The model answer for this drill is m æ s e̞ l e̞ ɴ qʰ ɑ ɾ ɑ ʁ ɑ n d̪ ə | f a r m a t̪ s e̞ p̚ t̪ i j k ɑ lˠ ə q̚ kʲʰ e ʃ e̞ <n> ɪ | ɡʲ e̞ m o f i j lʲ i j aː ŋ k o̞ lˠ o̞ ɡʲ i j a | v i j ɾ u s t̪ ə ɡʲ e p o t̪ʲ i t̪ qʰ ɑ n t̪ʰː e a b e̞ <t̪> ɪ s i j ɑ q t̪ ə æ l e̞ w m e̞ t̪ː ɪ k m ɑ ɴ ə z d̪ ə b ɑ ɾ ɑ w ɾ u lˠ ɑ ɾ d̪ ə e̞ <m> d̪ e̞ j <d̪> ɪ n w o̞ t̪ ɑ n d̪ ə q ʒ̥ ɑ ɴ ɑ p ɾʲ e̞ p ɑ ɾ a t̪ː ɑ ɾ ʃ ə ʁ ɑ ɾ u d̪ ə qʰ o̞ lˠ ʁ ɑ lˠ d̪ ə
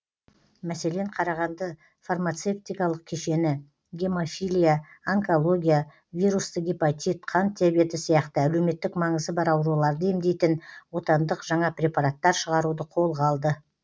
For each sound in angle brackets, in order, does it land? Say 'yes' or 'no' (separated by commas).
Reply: yes, yes, yes, no